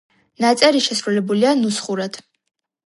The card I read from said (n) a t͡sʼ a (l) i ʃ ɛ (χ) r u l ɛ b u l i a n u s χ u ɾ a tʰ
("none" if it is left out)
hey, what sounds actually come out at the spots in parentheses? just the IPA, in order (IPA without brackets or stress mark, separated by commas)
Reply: n, ɾ, s